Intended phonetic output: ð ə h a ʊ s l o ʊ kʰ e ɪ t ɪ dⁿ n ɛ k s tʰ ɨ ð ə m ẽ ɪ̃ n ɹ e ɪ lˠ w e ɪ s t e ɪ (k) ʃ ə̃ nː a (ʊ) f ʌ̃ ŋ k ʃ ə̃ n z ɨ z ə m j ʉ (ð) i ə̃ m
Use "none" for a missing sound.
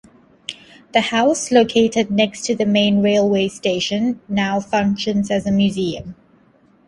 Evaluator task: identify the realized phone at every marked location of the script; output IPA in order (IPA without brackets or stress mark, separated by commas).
none, ʊ, z